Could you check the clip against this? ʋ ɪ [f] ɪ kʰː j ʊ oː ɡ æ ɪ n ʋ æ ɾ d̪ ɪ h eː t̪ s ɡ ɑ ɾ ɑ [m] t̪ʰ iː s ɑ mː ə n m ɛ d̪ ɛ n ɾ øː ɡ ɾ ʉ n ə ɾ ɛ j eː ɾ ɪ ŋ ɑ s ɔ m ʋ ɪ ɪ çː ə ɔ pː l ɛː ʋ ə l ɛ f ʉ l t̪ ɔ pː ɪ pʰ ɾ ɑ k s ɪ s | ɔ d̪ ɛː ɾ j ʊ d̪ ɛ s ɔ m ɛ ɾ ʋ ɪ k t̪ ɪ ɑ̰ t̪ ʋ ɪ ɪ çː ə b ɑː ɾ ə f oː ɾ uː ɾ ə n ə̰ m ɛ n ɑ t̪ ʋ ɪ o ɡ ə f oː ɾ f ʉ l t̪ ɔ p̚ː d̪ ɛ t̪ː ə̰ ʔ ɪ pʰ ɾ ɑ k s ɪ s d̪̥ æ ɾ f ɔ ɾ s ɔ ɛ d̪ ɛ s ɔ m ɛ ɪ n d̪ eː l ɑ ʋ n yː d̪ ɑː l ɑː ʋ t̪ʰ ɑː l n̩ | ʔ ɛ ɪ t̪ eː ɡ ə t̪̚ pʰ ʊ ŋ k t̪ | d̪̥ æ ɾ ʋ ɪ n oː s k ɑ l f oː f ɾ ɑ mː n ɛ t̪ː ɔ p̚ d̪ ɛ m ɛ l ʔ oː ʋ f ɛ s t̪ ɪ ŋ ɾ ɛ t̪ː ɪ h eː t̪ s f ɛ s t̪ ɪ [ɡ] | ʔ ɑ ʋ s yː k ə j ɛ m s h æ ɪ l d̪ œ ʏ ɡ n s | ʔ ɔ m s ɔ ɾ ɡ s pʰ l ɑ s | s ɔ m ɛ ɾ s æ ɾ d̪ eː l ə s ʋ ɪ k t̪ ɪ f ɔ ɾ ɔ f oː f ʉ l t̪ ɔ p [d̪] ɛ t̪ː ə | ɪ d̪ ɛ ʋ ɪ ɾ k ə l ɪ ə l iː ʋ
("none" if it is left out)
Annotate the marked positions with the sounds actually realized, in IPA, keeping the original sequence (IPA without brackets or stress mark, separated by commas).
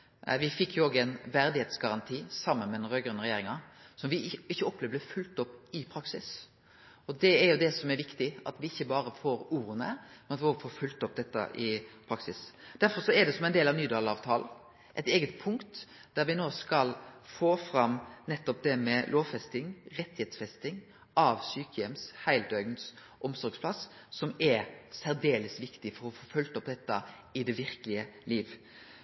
f, n, ŋ, d̪